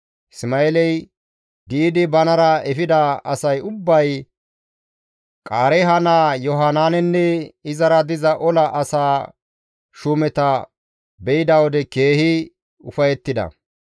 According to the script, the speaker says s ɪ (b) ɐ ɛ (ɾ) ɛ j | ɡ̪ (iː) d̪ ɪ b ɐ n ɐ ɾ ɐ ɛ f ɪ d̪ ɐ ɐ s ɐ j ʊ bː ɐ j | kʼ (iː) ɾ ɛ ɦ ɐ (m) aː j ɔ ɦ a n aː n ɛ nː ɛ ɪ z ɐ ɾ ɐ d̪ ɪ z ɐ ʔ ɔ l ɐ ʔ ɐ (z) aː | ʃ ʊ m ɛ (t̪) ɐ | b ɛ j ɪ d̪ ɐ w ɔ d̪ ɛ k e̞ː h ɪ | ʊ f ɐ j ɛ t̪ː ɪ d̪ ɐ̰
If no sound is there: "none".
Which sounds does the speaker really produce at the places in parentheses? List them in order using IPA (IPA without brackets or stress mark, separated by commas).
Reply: m, l, iː, aː, n, s, t̪